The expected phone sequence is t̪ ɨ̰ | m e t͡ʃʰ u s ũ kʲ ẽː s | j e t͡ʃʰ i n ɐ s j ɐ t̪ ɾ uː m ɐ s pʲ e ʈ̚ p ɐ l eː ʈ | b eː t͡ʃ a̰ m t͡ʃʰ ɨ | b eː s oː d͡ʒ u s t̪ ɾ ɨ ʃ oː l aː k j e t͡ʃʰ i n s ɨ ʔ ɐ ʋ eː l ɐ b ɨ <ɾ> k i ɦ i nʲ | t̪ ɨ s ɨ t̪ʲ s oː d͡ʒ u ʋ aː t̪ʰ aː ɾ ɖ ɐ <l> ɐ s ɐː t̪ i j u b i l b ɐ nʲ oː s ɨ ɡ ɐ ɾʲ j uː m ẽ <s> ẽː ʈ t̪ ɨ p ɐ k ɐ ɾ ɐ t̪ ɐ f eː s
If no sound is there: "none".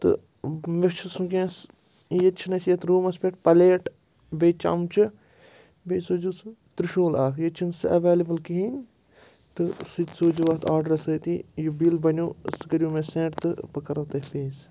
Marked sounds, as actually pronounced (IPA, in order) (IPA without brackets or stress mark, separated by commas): l, ɾ, s